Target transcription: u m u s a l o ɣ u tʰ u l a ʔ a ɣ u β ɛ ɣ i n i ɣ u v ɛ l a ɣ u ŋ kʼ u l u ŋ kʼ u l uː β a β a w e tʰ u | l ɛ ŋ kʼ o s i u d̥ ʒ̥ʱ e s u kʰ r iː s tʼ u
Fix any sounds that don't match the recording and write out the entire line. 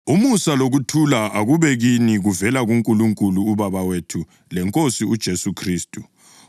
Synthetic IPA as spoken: u m u s a l o ɣ u tʰ u l a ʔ a ɣ u β ɛ ɣ i n i ɣ u v ɛ l a ɣ u ŋ kʼ u l u ŋ kʼ u l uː β a β a w e tʰ u | l ɛ ŋ kʼ o s i u d̥ ʒ̥ʱ e s u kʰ r iː s tʼ u